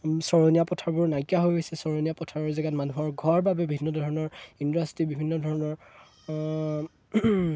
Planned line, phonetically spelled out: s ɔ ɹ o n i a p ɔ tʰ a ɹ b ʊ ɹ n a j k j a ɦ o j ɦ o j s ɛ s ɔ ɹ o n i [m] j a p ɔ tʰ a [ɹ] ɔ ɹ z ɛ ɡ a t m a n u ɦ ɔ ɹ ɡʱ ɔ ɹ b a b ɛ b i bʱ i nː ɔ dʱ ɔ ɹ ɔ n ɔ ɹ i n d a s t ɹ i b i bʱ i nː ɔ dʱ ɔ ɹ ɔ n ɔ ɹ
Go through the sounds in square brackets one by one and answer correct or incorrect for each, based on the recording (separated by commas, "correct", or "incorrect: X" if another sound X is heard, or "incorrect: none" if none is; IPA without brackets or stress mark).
incorrect: none, correct